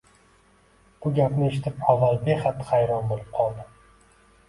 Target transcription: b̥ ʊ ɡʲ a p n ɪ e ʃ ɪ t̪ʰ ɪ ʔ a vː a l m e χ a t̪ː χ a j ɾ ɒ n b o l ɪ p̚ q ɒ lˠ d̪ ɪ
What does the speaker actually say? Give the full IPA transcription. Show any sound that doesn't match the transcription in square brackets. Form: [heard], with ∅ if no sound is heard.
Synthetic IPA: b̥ ʊ ɡʲ a p n ɪ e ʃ ɪ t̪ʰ ɪ [p] a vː a l [b] e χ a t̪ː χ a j ɾ ɒ n b o l ɪ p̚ [qʰ] ɒ lˠ d̪ ɪ